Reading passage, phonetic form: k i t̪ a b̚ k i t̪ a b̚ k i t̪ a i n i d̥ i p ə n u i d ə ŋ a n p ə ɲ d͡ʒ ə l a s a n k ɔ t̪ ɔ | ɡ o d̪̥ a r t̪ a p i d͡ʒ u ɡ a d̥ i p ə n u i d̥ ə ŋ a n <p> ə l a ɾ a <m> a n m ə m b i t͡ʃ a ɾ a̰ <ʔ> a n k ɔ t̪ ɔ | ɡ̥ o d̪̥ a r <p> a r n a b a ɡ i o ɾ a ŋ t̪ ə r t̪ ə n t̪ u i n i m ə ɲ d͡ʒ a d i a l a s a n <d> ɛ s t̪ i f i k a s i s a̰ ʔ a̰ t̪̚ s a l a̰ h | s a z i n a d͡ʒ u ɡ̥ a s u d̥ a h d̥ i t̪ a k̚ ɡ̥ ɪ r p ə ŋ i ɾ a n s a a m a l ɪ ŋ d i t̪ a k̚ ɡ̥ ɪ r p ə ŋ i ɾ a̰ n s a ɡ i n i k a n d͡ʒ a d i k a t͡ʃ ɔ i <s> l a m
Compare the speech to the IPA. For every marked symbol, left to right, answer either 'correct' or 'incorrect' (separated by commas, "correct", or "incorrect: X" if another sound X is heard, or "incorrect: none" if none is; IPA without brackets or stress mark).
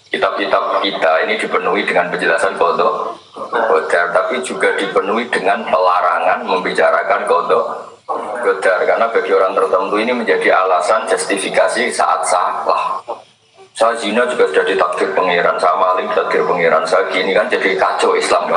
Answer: correct, incorrect: ŋ, incorrect: k, incorrect: k, incorrect: d͡ʒ, correct